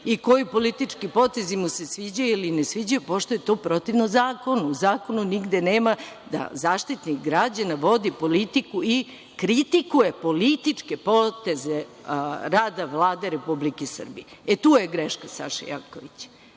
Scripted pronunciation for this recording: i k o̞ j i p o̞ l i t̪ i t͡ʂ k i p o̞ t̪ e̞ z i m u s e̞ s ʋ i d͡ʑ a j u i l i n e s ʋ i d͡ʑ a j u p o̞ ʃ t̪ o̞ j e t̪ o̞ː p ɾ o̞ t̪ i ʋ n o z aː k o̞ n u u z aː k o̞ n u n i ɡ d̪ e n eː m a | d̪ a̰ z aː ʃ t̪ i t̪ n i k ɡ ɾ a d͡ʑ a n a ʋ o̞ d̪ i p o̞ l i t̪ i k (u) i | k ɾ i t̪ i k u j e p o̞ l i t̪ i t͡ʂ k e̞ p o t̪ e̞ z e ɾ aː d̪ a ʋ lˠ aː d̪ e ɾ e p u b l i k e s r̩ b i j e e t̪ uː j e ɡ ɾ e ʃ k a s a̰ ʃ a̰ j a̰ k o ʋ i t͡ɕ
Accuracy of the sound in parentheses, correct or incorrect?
correct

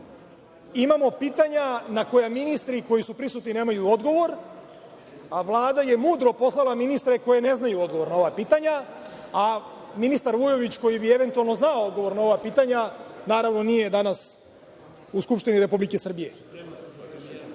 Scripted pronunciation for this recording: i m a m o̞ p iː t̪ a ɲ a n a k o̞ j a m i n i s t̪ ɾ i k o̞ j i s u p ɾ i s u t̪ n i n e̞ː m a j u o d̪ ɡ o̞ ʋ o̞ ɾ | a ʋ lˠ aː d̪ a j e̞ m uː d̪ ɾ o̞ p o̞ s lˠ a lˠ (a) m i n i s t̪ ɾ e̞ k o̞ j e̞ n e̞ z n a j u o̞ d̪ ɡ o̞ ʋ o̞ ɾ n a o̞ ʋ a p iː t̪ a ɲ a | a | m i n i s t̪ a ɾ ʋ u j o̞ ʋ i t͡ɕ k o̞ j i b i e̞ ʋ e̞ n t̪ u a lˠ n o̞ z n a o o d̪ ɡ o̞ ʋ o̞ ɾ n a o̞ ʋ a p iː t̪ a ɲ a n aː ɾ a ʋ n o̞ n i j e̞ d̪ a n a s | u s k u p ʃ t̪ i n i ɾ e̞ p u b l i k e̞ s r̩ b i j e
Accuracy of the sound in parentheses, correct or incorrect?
correct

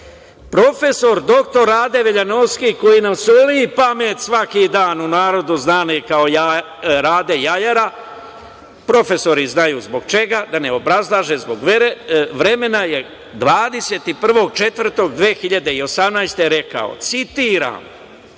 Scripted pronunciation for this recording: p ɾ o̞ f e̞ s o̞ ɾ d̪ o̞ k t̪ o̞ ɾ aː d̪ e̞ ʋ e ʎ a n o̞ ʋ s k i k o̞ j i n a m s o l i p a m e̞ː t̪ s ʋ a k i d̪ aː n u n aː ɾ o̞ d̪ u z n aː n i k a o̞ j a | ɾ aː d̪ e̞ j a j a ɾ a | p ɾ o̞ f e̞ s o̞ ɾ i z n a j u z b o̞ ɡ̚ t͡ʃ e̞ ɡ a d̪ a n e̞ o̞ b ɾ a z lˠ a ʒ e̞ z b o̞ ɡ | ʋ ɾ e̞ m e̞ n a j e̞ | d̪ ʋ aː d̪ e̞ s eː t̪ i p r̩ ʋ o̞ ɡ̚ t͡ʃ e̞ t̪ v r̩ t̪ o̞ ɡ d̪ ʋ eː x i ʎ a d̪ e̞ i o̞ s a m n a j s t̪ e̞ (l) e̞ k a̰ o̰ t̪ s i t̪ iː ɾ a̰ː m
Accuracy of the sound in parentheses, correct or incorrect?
incorrect: ɾ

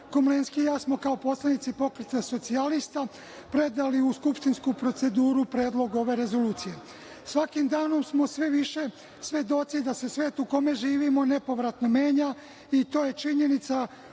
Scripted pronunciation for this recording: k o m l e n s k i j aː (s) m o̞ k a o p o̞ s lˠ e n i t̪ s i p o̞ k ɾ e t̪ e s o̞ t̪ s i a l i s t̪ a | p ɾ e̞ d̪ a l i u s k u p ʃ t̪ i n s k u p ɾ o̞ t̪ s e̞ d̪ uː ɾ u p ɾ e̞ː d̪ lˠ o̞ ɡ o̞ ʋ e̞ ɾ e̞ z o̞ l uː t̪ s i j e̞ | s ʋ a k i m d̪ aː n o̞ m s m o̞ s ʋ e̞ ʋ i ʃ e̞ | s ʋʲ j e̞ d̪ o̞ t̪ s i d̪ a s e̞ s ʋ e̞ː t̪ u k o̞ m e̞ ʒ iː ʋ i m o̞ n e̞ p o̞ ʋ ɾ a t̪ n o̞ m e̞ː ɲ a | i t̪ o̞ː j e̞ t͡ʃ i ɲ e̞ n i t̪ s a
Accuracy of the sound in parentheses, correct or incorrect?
correct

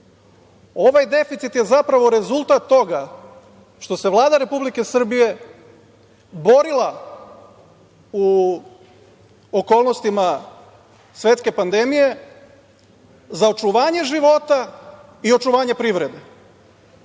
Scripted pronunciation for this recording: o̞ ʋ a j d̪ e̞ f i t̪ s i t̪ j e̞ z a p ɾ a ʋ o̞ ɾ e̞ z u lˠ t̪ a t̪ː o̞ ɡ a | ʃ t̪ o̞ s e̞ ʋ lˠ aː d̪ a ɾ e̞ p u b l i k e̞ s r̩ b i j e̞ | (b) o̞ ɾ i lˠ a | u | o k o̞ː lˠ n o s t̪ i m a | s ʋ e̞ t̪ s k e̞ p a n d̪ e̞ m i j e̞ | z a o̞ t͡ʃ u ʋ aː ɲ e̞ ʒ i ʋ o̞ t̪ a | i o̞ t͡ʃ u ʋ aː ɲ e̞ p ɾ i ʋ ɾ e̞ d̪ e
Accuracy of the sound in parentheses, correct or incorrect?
correct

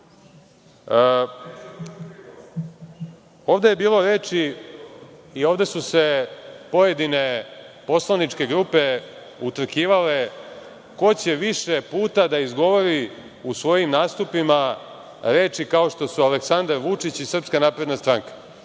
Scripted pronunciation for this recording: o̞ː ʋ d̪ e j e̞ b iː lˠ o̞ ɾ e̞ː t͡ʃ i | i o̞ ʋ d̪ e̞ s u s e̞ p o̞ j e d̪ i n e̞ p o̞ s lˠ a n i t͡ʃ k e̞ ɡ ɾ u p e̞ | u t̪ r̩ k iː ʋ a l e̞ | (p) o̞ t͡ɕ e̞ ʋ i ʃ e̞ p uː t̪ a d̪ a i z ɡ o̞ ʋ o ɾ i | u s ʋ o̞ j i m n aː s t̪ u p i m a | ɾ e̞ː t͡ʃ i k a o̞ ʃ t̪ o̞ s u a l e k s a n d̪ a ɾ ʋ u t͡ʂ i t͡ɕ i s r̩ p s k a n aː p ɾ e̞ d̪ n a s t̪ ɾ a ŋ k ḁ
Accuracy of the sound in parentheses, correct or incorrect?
incorrect: k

